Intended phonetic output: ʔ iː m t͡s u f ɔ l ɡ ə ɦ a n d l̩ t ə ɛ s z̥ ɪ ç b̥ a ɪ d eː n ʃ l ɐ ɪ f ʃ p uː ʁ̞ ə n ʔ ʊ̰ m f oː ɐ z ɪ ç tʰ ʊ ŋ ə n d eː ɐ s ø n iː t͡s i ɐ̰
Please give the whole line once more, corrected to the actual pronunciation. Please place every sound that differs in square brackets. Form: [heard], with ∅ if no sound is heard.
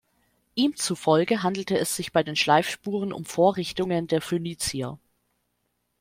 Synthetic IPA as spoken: ʔ iː m t͡s u f ɔ l ɡ ə ɦ a n d l̩ t ə ɛ s z̥ ɪ ç b̥ a ɪ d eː n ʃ l [a] ɪ f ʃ p uː ʁ̞ ə n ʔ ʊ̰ m f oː ɐ [ʁ] ɪ ç [t] ʊ ŋ ə n d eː ɐ [f] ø n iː t͡s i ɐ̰